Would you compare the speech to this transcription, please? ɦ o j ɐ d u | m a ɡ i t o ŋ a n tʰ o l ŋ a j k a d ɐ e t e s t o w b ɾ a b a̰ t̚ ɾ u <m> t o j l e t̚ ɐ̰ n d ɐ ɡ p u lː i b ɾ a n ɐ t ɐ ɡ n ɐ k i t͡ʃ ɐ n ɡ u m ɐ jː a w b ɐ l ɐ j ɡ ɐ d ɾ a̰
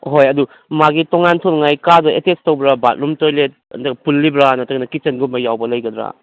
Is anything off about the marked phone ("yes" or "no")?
no